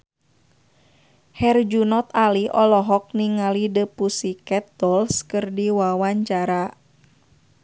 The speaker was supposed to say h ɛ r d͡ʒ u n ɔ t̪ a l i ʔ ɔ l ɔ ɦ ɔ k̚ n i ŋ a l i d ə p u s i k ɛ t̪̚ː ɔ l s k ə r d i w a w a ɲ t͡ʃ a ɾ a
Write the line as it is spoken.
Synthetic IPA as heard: h ɛ r d͡ʒ u n ɔ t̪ a l i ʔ ɔ l ɔ ɦ ɔ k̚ n i ŋ a l i d ə p u s i k ɛ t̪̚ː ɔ l s k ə r d i w a w a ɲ t͡ʃ a ɾ a